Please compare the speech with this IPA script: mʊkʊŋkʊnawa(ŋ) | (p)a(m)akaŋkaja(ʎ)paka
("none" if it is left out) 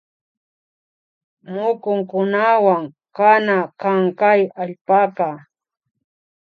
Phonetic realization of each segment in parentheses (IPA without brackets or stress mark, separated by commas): ŋ, k, n, ʎ